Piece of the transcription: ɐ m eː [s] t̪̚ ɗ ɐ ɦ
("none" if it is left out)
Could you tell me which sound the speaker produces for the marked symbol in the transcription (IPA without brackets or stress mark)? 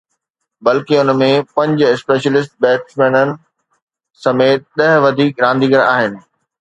none